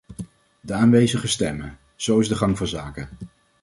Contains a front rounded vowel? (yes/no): no